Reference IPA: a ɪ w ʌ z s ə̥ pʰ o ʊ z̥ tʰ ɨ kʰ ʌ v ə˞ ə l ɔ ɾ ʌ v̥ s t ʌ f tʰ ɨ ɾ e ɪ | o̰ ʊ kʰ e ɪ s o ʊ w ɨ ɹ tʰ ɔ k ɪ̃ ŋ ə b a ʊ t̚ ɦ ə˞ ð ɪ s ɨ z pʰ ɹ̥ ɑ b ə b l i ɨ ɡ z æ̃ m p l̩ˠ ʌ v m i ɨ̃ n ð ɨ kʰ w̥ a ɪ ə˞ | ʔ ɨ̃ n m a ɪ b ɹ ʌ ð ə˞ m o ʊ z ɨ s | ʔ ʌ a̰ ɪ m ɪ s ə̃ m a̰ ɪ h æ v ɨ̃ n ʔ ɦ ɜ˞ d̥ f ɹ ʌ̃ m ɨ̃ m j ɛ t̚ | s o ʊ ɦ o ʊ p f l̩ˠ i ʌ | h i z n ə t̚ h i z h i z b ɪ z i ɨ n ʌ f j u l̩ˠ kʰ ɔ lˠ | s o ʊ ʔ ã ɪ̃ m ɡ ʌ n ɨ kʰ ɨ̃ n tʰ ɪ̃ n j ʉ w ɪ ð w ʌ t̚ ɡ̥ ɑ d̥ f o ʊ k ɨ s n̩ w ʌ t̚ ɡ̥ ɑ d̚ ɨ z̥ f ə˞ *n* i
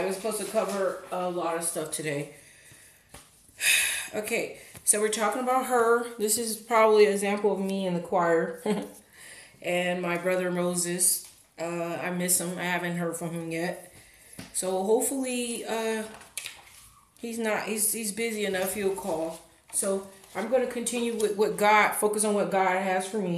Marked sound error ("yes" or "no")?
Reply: yes